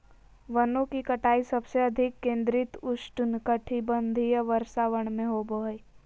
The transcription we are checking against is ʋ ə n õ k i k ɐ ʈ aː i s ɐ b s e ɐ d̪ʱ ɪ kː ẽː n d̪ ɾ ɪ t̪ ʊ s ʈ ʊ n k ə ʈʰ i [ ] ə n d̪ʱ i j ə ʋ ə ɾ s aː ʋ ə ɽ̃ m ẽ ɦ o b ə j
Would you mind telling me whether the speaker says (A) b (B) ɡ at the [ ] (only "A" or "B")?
A